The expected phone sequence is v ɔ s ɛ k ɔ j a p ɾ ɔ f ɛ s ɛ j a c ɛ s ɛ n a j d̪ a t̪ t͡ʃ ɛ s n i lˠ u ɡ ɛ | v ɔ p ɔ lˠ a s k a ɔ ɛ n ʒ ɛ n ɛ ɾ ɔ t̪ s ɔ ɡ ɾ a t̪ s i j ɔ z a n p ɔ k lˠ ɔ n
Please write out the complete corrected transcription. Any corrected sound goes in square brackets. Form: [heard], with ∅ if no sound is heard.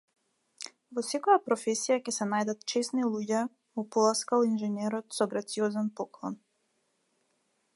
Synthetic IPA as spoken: v ɔ s ɛ k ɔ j a p ɾ ɔ f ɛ s [i] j a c ɛ s ɛ n a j d̪ a t̪ t͡ʃ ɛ s n i lˠ u [ɟ] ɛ | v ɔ p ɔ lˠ a s k a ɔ [i] n ʒ ɛ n ɛ ɾ ɔ t̪ s ɔ ɡ ɾ a t̪ s i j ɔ z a n p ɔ k lˠ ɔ n